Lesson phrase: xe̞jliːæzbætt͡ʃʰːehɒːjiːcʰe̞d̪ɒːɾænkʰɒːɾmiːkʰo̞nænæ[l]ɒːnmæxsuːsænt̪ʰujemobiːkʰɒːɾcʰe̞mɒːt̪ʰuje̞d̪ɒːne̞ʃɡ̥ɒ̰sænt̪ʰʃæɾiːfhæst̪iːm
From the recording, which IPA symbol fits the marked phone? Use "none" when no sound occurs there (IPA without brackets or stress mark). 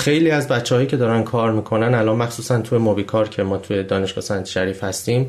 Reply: l